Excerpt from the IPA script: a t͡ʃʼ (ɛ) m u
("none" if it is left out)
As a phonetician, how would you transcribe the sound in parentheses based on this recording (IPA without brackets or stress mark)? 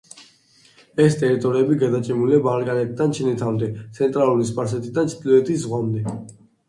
ɛ